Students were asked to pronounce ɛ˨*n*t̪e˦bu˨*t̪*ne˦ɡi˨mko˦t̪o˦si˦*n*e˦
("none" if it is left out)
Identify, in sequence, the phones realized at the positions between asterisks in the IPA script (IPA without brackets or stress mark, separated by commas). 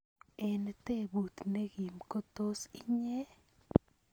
n, t̪, ɲ